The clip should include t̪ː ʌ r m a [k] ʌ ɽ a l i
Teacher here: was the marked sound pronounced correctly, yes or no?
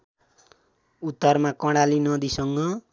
yes